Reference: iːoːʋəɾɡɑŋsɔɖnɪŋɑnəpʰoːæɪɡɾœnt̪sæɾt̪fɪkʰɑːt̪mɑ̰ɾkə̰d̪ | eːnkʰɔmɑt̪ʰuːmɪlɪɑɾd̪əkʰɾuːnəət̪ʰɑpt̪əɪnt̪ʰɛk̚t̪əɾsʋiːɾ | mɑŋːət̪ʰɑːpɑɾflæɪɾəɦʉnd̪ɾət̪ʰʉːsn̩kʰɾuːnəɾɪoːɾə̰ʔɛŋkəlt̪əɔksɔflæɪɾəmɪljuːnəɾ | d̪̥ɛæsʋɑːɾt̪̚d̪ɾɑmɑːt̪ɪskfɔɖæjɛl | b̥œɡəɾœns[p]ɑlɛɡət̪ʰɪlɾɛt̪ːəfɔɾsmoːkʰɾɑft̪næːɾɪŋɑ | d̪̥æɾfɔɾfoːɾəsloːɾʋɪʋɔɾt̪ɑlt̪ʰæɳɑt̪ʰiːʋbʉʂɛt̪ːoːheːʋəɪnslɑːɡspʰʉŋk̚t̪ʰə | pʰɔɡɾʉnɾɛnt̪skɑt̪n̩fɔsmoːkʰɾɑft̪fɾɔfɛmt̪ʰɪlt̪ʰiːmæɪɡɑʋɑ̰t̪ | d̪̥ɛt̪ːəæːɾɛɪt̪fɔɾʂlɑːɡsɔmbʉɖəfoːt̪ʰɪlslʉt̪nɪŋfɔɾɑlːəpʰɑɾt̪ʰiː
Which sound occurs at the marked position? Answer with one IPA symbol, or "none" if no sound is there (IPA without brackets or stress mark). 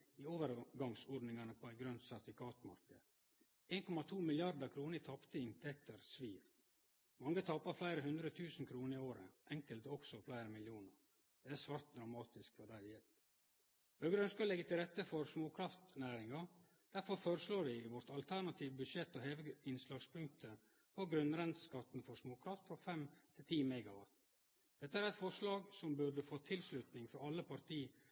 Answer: k